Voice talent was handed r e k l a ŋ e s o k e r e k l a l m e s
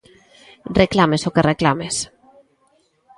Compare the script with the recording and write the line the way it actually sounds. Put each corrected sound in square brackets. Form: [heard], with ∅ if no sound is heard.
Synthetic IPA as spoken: r e k l a [m] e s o k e r e k l a [∅] m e s